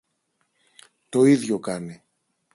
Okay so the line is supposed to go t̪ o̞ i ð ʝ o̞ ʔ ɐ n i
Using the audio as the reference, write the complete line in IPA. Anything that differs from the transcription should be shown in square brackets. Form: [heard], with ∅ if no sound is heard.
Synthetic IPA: t̪ o̞ i ð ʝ o̞ [k] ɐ n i